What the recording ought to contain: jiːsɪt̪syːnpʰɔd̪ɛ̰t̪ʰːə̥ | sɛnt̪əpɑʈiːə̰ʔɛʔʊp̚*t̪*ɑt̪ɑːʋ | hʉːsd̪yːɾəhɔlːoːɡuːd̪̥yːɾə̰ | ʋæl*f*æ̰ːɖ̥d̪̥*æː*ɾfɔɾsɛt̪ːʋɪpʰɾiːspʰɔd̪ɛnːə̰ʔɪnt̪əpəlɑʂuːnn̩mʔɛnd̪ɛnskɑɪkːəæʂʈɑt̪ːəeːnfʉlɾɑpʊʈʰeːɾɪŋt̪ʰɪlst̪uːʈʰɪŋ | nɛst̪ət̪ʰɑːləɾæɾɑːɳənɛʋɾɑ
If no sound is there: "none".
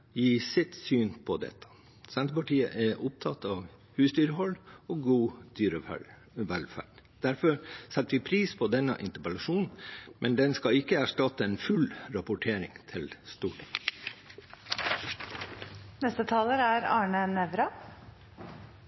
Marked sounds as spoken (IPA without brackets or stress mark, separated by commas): t̪ʰ, f, æ